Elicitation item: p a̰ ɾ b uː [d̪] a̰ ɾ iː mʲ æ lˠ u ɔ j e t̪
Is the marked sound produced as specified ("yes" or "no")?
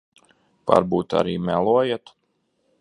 no